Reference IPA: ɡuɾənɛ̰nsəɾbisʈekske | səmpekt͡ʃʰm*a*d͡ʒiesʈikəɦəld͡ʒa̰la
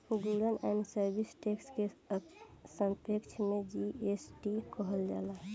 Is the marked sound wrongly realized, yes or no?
yes